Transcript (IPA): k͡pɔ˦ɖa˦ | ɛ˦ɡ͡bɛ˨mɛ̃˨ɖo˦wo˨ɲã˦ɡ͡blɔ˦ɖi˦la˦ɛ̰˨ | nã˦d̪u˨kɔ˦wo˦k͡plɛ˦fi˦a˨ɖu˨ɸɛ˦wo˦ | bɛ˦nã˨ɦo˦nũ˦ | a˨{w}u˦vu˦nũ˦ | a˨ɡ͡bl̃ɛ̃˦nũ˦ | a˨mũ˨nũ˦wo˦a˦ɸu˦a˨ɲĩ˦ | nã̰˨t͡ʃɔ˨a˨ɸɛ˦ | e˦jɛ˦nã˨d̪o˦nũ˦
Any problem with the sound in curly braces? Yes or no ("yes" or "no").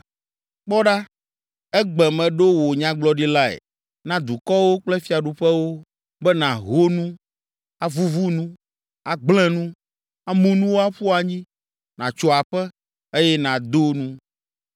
yes